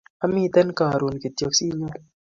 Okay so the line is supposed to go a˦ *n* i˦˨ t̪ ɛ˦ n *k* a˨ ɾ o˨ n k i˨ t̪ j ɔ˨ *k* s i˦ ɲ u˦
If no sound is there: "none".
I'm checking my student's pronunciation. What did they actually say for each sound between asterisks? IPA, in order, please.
m, k, k

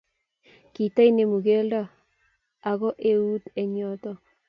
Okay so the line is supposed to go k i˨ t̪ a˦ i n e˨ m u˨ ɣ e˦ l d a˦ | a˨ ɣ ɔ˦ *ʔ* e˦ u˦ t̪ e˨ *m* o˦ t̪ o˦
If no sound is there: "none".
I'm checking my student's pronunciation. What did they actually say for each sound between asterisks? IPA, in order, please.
ʔ, ɲ

